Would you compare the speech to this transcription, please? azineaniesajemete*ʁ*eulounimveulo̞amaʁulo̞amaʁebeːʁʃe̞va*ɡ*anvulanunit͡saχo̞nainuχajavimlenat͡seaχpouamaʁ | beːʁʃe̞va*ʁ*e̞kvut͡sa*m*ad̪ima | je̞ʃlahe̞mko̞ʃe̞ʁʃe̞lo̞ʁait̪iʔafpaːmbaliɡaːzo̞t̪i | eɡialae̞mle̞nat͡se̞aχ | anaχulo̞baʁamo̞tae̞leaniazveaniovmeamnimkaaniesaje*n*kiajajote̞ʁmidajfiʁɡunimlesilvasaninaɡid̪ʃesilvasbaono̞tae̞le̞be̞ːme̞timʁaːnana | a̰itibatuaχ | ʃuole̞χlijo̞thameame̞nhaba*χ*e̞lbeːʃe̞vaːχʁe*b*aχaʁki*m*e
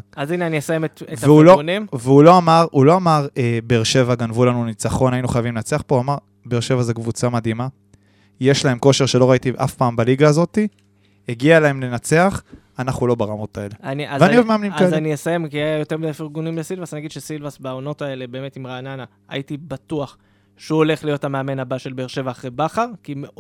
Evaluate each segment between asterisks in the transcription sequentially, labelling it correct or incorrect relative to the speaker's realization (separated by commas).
incorrect, correct, incorrect, correct, incorrect, incorrect, correct, correct